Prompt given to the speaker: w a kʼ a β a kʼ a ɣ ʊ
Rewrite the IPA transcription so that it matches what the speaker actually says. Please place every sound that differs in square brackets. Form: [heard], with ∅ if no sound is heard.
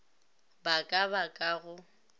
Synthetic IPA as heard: [b] a kʼ a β a kʼ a ɣ ʊ